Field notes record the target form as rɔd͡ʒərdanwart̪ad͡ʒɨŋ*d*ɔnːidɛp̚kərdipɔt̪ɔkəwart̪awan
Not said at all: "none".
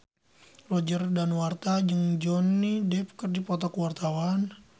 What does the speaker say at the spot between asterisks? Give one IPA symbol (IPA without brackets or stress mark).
d͡ʒ